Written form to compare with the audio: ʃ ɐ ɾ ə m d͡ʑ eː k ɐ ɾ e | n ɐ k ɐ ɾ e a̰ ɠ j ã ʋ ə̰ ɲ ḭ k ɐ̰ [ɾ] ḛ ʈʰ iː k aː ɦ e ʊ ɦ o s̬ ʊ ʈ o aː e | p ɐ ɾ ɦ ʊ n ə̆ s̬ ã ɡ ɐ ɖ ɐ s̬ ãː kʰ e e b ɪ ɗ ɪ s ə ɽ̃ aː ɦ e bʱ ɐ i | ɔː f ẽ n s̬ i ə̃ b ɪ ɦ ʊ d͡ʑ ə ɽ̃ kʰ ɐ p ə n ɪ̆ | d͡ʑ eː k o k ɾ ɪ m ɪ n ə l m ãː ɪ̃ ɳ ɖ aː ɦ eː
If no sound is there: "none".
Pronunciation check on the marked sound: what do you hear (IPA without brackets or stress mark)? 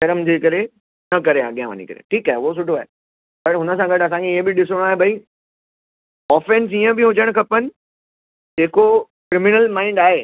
ɾ